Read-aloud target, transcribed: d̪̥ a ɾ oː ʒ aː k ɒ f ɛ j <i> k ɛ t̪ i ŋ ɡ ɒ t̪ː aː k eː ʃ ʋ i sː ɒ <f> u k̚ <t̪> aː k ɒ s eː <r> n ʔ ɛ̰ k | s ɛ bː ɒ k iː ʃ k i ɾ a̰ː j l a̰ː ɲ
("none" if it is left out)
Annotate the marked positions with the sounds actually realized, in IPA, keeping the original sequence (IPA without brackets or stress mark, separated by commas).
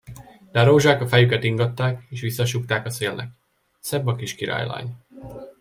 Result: y, ʃ, t̪, l